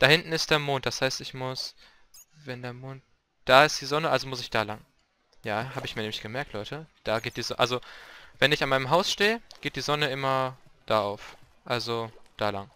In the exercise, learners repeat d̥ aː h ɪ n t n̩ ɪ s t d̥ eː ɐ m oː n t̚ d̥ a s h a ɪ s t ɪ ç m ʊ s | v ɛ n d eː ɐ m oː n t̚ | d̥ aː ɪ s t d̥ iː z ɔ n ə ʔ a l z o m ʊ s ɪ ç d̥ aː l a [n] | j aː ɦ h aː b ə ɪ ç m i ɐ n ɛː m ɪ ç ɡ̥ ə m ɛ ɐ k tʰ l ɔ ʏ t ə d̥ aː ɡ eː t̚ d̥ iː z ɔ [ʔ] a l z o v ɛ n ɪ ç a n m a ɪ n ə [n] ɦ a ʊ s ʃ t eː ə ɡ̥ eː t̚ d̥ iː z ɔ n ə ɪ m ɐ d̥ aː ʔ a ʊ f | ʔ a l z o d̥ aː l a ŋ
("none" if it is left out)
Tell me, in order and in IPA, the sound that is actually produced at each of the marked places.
ŋ, ʔ, m

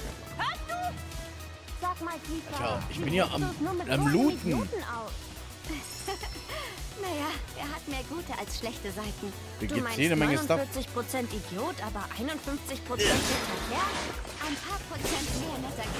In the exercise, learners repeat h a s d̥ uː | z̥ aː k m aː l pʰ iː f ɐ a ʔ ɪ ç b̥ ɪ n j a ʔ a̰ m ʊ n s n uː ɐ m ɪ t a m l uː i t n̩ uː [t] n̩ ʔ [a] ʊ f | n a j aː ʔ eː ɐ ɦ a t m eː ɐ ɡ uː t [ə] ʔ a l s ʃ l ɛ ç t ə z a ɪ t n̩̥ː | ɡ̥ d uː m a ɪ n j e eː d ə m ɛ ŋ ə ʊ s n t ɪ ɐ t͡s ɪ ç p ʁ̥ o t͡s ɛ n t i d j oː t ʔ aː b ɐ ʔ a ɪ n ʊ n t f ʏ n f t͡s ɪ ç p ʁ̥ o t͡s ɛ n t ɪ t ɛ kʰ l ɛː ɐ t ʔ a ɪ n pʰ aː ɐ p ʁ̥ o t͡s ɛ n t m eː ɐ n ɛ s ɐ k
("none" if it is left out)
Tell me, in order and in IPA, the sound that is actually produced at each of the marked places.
t, a, ə

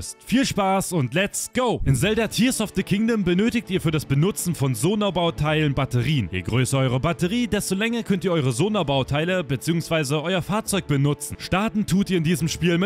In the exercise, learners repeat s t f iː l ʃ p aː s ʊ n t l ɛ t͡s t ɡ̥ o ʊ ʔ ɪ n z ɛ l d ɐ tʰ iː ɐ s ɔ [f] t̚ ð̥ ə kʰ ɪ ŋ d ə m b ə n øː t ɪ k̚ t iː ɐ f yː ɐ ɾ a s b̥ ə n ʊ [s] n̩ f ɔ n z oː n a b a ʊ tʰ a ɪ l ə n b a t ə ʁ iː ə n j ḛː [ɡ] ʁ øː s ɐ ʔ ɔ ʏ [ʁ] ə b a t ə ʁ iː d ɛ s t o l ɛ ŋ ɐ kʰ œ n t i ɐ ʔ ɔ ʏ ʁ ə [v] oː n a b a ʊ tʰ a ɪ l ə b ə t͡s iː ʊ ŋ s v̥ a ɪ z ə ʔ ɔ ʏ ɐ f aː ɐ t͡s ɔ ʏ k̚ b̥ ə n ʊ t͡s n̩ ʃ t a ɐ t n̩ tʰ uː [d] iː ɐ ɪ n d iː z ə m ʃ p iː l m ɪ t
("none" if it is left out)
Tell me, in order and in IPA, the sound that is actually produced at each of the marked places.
f, t͡s, ɡ, ʁ, z, t

